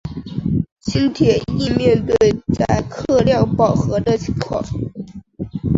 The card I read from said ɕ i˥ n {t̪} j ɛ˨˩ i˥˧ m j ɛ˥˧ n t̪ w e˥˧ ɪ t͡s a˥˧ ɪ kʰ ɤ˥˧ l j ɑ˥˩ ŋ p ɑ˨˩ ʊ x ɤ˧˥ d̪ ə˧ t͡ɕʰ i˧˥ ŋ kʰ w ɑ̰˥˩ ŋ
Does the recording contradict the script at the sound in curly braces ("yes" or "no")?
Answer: yes